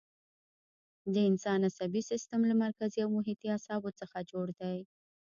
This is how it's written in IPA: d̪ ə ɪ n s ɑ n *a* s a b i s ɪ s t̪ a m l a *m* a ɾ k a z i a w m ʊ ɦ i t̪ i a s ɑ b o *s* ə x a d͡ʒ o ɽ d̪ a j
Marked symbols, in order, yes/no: yes, yes, no

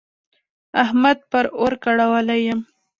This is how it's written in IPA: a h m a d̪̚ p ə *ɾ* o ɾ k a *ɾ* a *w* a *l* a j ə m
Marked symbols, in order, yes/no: yes, no, yes, yes

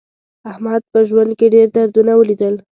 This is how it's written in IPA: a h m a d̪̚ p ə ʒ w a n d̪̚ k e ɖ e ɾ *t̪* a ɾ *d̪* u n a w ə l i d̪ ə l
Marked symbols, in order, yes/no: no, yes

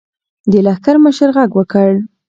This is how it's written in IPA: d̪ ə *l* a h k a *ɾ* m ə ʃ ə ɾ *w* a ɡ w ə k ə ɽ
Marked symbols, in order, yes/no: yes, yes, no

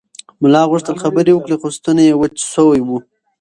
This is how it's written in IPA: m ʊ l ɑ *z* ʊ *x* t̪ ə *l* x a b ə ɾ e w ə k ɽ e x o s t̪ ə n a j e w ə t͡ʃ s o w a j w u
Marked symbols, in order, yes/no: no, no, yes

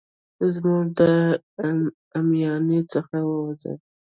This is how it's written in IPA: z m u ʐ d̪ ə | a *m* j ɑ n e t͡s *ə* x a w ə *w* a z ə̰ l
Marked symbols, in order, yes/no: yes, yes, yes

